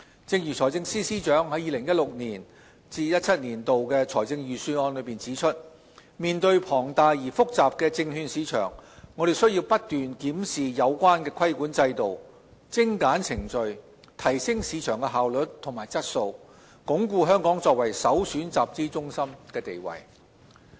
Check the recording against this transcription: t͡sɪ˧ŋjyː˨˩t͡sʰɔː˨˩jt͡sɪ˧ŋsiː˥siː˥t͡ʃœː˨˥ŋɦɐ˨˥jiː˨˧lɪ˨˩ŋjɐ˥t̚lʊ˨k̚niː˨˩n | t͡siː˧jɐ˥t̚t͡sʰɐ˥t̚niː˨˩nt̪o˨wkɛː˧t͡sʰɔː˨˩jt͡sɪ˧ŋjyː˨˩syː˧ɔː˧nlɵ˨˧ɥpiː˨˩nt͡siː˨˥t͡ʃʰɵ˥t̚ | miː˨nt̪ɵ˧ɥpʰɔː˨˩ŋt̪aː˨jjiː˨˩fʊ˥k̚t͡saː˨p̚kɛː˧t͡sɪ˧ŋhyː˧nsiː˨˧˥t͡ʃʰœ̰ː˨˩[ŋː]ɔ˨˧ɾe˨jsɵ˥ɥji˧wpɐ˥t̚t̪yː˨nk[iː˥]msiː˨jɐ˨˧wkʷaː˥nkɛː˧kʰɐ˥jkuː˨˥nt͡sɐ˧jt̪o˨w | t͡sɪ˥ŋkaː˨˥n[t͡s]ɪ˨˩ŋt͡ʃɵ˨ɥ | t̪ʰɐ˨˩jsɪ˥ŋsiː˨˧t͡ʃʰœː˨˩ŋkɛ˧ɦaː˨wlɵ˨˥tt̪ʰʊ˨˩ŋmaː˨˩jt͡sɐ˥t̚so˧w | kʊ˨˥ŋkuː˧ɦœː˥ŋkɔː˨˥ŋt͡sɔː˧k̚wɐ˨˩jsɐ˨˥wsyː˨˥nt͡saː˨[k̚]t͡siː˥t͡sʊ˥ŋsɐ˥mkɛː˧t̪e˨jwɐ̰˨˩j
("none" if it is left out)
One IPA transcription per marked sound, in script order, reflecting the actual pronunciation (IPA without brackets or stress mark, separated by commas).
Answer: ŋː, iː˨˥, t͡sʰ, p̚